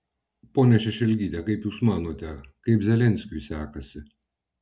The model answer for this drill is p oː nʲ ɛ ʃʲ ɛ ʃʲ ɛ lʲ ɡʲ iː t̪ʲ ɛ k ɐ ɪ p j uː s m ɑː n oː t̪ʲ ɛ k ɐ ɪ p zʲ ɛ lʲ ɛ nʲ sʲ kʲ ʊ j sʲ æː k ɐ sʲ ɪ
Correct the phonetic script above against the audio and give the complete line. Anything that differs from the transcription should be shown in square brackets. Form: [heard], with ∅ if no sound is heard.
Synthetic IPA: p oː nʲ ɛ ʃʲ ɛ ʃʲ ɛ lʲ ɡʲ iː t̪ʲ ɛ k ɐ ɪ p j uː s m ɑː n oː t̪ʲ ɛ k ɐ ɪ p zʲ ɛ lʲ ɛ nʲ sʲ kʲ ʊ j sʲ æː k ɐ sʲ ɪ